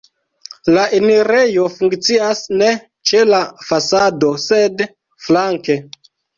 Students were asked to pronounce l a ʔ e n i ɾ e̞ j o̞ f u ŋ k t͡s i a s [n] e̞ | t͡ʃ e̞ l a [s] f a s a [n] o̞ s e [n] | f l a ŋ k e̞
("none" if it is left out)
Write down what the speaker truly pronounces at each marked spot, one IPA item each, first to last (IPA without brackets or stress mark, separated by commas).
n, none, d, d